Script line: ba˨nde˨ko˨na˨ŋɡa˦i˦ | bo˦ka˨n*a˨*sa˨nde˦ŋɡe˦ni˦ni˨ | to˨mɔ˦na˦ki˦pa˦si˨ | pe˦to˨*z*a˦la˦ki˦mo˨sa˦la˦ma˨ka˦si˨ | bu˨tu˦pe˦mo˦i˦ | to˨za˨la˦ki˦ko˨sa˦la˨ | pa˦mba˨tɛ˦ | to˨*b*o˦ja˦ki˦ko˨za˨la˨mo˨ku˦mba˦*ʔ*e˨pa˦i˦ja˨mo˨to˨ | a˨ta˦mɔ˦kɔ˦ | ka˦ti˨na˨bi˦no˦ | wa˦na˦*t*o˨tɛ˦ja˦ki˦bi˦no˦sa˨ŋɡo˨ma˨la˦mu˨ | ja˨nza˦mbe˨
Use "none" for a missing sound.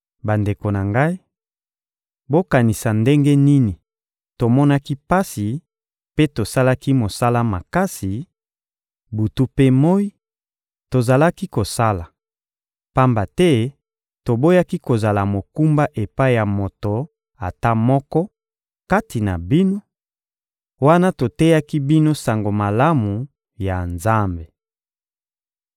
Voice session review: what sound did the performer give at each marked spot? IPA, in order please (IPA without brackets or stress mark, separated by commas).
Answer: i˨, s, b, ʔ, t